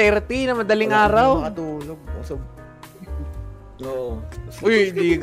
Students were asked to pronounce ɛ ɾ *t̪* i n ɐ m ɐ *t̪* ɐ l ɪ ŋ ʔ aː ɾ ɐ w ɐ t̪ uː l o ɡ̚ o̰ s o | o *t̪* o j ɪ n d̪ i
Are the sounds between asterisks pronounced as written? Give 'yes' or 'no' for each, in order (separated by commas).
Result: yes, no, no